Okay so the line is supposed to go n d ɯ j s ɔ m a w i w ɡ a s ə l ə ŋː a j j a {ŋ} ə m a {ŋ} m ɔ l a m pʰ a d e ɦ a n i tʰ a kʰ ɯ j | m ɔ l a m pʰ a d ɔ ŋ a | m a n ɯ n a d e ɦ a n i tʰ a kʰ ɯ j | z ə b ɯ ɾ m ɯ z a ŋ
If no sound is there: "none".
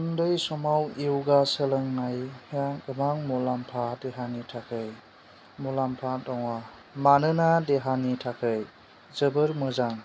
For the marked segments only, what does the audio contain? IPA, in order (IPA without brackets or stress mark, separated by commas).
ɡ, ŋ